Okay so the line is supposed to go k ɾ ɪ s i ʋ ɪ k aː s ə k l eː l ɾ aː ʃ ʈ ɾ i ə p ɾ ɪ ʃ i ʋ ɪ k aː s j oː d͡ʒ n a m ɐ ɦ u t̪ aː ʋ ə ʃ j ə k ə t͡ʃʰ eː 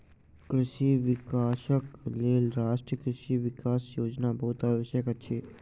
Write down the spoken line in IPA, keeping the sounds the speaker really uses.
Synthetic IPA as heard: k ɾ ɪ ʃ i ʋ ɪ k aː ʃ ə k l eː l ɾ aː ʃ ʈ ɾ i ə k ɾ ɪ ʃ i ʋ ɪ k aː s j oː d͡ʒ n a b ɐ ɦ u t̪ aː ʋ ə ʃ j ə k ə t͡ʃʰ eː